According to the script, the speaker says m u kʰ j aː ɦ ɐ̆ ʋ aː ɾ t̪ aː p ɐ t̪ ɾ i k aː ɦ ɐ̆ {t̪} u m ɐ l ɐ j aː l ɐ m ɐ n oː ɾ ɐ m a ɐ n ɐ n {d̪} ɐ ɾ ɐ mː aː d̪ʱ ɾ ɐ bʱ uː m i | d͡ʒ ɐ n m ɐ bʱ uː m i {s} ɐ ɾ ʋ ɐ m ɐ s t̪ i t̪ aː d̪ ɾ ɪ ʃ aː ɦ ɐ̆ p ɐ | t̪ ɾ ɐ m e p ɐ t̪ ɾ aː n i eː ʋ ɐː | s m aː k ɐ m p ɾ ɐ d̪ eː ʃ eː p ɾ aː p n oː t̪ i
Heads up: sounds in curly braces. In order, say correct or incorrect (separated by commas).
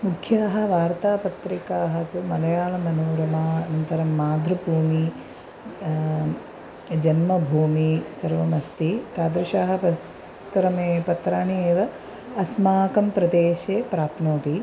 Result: correct, incorrect, correct